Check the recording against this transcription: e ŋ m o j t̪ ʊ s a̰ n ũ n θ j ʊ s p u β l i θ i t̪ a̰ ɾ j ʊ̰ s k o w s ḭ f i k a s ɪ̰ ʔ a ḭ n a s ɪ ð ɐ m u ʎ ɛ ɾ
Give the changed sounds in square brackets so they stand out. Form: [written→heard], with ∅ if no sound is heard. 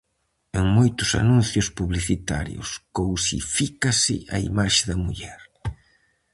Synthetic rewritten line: e ŋ m o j t̪ ʊ s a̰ n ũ n θ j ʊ s p u β l i θ i t̪ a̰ ɾ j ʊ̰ s k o w s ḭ f i k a s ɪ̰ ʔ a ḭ [n→m] a [s→ʃ] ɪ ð ɐ m u ʎ ɛ ɾ